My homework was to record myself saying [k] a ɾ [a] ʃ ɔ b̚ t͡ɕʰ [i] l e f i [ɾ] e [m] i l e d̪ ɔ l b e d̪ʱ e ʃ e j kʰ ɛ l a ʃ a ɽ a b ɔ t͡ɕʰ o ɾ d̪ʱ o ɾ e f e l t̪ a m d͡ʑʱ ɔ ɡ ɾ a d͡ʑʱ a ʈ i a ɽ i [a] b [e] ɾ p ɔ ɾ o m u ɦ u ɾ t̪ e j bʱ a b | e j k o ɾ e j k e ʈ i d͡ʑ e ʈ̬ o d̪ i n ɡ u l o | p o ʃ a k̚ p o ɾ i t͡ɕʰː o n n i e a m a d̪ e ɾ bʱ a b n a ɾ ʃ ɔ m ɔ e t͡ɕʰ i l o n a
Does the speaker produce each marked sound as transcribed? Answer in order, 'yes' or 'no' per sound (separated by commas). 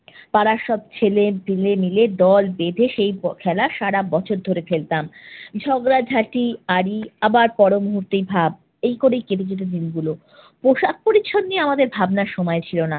no, yes, no, no, yes, yes, no